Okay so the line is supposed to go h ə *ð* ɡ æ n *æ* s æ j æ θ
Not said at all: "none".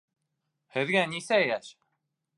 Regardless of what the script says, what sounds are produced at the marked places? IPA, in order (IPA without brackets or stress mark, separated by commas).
ð, i